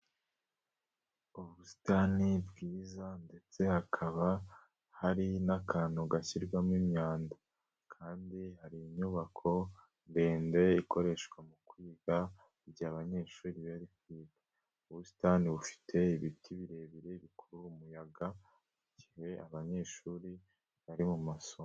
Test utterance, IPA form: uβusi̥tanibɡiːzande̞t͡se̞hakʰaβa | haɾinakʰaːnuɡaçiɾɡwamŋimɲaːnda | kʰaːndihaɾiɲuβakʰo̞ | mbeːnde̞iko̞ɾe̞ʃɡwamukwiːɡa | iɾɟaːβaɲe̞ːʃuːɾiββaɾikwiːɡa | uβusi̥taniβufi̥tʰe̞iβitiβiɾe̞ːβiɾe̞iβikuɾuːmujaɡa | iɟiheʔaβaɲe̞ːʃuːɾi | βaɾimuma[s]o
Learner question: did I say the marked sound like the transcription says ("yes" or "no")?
yes